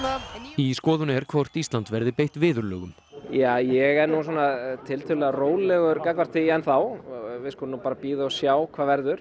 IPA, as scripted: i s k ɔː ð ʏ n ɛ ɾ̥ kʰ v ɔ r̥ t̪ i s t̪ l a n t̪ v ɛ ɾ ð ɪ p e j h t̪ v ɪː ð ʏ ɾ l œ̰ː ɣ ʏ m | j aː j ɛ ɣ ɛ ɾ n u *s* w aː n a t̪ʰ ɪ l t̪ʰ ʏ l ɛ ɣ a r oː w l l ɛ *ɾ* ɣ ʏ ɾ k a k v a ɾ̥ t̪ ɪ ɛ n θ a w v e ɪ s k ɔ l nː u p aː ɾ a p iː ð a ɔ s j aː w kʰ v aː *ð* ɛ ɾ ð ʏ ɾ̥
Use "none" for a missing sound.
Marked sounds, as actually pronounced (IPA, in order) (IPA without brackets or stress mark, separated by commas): s, none, v